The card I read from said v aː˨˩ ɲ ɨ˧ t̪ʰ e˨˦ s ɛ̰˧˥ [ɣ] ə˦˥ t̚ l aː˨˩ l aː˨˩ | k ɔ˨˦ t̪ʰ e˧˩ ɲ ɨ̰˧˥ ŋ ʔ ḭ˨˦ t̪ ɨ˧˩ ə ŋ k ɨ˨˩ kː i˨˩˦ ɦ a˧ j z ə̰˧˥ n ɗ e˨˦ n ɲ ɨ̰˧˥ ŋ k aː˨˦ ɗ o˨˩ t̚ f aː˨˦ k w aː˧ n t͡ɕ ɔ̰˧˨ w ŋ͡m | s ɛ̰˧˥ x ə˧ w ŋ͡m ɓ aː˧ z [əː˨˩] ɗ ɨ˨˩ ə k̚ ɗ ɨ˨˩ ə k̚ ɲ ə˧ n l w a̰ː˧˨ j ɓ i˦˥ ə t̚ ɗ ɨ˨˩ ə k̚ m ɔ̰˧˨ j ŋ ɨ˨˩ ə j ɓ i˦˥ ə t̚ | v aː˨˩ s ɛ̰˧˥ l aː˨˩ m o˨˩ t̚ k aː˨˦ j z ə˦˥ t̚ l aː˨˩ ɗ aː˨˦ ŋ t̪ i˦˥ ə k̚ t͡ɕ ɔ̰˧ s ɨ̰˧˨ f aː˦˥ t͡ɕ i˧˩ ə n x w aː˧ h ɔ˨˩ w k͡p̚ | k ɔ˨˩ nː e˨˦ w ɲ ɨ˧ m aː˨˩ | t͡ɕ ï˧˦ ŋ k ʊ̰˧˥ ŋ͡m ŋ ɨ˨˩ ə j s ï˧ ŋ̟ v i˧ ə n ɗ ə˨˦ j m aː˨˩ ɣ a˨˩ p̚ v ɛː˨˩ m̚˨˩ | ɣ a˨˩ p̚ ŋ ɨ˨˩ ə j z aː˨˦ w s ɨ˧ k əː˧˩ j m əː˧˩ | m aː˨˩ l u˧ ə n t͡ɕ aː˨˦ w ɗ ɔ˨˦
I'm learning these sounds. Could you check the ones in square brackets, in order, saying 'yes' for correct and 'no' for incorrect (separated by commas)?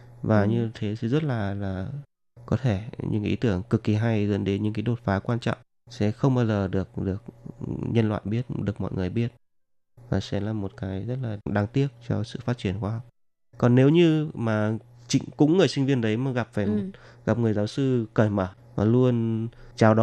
no, yes